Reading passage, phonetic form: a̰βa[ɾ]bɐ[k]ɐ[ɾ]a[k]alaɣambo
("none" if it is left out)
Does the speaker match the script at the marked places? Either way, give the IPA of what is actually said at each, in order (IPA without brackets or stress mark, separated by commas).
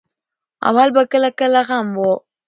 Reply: l, k, l, k